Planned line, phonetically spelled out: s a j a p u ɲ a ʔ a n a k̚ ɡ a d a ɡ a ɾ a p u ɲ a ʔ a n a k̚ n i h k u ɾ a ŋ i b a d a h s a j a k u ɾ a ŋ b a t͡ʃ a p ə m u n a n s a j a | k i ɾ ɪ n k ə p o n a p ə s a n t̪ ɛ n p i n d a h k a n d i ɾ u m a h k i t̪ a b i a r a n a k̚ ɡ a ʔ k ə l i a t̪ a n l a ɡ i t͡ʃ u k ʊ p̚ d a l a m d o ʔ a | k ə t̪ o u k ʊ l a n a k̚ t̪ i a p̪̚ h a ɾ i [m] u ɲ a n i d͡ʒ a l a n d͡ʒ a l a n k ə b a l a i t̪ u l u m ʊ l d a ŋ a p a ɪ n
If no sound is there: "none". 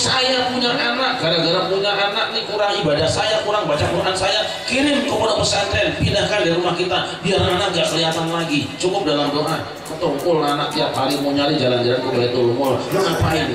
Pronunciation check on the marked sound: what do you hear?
m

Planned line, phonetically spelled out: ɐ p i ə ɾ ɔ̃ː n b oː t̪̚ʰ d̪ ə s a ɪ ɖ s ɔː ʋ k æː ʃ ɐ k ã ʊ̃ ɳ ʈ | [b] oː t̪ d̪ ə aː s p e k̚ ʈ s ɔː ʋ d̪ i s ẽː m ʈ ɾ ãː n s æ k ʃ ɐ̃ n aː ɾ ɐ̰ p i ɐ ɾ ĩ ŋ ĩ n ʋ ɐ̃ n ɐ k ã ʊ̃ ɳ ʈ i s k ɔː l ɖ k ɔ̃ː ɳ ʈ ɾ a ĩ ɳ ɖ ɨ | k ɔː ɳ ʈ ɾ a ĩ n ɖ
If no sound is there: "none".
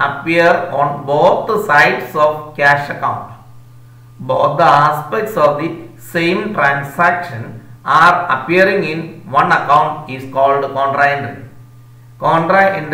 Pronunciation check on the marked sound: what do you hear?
b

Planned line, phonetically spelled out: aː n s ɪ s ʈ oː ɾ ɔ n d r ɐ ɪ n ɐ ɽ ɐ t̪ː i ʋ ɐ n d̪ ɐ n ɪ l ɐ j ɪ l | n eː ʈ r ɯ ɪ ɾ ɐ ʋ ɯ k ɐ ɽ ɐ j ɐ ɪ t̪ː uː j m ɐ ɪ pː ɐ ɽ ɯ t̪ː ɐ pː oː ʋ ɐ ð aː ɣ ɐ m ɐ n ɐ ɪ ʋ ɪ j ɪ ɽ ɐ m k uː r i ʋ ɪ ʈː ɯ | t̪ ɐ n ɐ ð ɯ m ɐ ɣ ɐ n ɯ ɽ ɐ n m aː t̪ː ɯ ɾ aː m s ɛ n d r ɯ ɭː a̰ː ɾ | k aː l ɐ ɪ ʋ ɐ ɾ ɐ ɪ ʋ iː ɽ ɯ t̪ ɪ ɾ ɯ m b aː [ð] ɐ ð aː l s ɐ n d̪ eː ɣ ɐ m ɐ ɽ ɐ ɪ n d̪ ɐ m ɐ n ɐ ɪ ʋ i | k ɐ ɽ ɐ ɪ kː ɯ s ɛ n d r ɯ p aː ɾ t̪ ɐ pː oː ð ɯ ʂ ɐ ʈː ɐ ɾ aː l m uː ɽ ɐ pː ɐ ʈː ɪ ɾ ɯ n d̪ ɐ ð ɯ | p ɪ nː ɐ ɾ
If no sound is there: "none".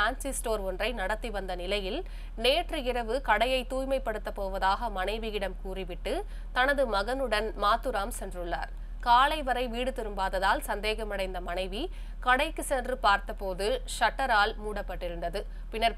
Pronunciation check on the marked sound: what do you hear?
ð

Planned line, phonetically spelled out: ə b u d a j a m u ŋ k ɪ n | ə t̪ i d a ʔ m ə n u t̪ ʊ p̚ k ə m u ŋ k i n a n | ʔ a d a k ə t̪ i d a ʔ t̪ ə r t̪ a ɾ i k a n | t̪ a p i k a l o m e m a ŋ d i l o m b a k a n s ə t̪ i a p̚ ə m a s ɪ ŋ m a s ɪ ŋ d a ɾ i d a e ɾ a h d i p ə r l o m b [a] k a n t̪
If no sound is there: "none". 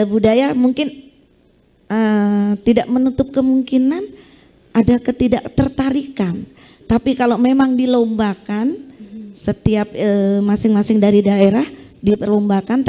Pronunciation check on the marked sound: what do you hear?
a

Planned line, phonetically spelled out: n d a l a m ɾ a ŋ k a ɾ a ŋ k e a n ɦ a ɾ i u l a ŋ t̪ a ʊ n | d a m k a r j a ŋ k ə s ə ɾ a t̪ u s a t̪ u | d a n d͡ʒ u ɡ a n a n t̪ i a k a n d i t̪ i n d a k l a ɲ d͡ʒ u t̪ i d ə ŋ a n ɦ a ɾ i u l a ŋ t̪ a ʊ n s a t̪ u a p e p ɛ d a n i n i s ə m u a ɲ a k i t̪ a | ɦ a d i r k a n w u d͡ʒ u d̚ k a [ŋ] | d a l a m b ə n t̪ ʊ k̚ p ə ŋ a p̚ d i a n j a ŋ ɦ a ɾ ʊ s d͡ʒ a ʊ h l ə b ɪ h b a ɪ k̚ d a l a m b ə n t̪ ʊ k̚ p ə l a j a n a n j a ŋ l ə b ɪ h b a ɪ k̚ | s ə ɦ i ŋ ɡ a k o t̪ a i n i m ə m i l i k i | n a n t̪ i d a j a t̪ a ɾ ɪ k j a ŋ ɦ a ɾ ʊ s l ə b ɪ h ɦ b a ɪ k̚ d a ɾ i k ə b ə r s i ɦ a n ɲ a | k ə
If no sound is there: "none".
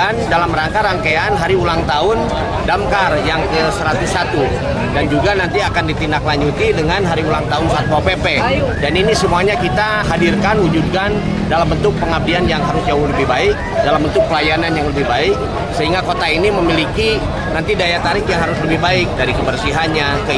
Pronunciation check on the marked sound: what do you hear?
n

